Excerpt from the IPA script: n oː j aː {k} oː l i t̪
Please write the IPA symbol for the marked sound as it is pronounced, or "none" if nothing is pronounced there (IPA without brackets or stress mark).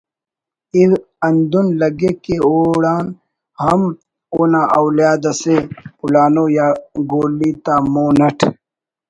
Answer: ɡ